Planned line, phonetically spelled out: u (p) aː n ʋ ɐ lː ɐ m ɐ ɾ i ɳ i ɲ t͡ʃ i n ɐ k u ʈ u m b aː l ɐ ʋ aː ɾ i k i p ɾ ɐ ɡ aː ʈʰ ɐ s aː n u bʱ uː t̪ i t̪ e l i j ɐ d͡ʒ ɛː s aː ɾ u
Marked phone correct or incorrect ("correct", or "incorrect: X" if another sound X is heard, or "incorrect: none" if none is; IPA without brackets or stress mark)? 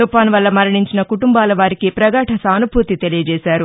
correct